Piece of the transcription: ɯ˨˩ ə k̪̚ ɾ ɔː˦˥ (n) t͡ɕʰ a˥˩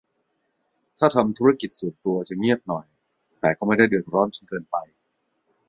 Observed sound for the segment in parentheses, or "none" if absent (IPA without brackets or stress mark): n